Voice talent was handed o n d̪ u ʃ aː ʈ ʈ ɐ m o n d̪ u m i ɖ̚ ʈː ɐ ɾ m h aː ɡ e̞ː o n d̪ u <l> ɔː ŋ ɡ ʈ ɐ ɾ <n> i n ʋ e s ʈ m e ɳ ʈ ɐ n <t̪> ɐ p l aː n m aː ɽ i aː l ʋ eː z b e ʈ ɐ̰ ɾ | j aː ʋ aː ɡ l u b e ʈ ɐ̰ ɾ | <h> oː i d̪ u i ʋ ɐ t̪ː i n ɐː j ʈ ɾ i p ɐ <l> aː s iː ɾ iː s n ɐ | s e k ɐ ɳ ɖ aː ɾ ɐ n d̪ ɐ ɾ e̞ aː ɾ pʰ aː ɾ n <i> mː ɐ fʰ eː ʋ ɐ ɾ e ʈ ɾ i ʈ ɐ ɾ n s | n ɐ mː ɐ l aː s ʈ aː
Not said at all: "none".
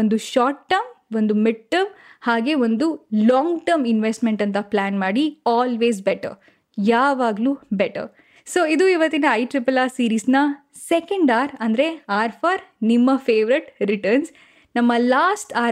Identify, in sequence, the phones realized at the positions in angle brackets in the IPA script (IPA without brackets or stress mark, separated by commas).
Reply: l, m, t̪, s, l, i